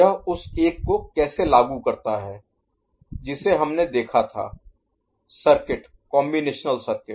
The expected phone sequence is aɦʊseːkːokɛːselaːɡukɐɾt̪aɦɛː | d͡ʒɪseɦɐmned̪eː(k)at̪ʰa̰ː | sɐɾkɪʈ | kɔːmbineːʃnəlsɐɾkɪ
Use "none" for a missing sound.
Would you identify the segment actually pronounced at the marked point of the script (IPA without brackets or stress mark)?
kʰ